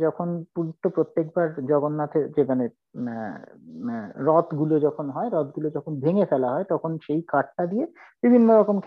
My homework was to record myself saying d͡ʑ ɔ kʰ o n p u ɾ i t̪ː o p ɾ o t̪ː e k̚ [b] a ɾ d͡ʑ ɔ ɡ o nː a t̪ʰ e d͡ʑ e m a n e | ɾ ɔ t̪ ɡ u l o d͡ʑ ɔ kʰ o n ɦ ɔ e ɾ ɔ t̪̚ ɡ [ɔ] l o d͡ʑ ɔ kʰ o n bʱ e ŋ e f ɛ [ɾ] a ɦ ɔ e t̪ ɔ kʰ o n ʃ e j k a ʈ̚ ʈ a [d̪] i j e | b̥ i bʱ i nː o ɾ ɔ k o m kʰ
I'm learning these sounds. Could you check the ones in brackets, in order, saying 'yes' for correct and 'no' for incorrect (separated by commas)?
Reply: yes, no, no, yes